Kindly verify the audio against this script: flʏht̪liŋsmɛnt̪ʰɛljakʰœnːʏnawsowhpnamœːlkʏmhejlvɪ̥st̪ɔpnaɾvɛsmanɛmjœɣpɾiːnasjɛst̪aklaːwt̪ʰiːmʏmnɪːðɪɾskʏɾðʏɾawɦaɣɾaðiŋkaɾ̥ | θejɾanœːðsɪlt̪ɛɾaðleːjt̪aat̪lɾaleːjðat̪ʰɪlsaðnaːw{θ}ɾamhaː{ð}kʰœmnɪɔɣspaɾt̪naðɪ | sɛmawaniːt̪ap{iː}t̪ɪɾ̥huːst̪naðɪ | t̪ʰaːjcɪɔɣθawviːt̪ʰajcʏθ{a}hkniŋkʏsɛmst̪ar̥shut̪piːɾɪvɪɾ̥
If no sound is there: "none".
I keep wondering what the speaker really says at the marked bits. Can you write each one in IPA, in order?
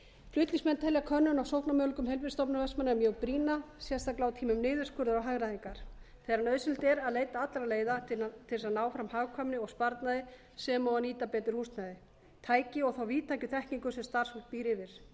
f, ɣ, ɛː, ɛ

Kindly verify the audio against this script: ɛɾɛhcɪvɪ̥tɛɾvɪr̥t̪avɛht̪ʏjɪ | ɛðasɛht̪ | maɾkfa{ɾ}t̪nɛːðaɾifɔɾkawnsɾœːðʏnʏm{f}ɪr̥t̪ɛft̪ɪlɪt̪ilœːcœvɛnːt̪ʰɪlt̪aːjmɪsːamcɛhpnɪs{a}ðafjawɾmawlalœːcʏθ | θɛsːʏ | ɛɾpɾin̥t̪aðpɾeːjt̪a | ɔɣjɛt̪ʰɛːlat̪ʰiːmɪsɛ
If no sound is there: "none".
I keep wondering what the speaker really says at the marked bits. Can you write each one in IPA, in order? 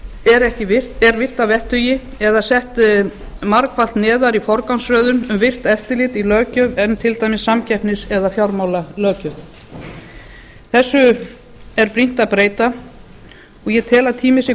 l, v, ɛ

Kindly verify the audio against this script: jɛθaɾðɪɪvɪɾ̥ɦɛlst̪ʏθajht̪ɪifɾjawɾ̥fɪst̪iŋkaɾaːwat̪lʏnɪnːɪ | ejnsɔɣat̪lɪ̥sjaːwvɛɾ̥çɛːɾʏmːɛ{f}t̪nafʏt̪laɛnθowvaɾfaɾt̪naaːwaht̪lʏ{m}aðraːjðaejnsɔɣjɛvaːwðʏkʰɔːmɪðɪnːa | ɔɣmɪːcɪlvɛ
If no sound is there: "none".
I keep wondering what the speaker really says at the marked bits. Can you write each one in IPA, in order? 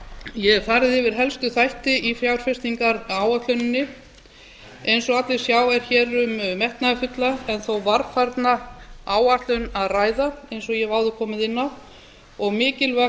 h, n

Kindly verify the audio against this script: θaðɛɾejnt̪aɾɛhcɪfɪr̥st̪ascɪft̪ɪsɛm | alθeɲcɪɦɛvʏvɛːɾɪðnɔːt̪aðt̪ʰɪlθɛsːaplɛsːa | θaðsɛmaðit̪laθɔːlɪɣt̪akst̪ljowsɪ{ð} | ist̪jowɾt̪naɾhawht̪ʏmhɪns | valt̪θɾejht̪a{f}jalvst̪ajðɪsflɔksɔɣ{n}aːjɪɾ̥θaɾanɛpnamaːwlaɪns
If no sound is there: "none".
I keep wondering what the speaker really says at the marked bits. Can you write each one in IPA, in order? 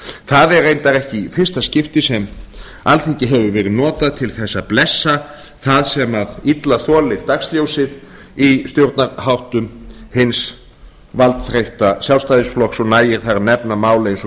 ð, s, n

